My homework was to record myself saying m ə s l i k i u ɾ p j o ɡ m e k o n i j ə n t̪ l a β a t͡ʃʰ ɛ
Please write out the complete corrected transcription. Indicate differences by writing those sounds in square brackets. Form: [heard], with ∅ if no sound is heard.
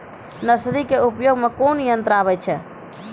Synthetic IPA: [n] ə s [ɾ] i k [e] u [∅] p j o ɡ m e k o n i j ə n t̪ [ɾ] a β [ɛ] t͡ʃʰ ɛ